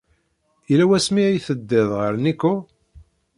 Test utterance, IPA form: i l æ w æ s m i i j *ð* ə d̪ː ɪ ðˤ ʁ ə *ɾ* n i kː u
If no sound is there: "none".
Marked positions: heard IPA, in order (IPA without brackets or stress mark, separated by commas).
θ, ɾ